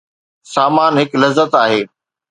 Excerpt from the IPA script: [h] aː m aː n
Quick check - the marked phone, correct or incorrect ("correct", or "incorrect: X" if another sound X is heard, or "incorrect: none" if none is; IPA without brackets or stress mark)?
incorrect: s